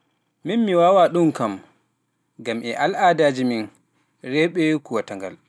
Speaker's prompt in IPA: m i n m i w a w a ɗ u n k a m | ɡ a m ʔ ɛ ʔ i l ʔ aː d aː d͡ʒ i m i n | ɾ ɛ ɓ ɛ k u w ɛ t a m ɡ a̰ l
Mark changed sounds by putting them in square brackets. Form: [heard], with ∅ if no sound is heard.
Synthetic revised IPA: m i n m i w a w a ɗ u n k a m | ɡ a m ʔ ɛ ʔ [a] l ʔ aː d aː d͡ʒ i m i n | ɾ ɛ ɓ ɛ k u w [a] t a [ŋ] ɡ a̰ l